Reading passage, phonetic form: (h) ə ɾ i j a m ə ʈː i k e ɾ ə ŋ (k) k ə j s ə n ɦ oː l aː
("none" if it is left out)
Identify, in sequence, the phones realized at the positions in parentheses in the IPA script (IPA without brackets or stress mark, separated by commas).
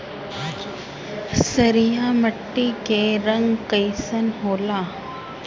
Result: s, ɡ